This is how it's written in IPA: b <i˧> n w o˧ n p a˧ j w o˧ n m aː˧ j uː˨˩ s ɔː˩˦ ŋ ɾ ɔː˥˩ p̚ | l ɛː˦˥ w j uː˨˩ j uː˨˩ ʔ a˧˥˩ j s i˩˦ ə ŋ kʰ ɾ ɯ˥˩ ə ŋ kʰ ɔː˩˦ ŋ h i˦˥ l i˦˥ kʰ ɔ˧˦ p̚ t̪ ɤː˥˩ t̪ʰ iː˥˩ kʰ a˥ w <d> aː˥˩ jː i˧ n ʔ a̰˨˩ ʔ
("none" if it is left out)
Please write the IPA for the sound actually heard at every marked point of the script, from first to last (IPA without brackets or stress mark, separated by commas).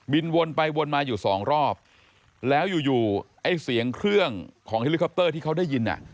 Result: i˧, d